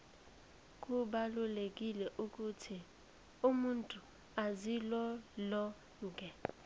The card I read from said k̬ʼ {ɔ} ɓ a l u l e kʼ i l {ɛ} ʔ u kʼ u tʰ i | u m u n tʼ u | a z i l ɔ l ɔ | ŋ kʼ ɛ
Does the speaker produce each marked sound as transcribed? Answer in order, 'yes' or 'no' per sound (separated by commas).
no, yes